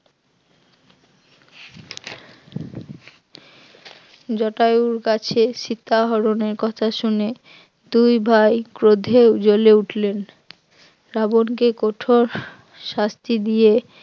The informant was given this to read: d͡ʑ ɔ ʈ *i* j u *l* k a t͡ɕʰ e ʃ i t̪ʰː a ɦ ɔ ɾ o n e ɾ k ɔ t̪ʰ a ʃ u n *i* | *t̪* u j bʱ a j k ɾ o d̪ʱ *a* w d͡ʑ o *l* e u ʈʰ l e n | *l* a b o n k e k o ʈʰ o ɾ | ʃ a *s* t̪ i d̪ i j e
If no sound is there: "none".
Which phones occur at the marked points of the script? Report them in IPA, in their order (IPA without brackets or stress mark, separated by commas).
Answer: a, ɾ, e, d̪, e, l, ɾ, s